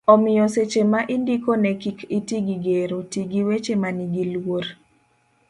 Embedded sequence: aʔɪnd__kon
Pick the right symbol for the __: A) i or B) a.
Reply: A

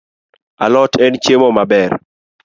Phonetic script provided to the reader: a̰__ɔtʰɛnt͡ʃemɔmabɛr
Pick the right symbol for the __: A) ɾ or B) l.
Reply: B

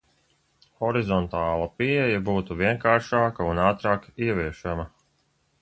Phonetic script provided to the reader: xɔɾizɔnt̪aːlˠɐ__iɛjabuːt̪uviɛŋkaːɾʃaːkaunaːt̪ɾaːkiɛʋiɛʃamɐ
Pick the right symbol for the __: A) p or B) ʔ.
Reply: A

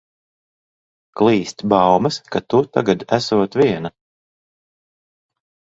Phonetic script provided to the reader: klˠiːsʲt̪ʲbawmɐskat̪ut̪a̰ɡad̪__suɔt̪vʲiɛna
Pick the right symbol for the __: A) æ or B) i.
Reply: A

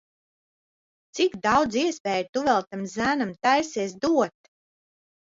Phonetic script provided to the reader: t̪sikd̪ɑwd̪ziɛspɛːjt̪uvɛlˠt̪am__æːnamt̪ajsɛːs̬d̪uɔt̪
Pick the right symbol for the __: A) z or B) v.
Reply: A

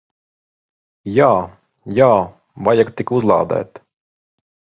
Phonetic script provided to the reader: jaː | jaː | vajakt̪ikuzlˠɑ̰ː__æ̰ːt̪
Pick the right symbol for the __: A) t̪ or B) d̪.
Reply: B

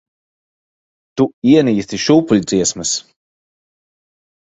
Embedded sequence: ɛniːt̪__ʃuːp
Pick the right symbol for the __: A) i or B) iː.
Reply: A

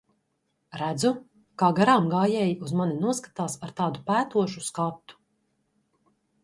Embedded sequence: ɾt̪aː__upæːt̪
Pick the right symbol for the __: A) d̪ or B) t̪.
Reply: A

